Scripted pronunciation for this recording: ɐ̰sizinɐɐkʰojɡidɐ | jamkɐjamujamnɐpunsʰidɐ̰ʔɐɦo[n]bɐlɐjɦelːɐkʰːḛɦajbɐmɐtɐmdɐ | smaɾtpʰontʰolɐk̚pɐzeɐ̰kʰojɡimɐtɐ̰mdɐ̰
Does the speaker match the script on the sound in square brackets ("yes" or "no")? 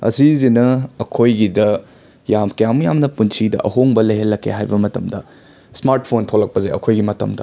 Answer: no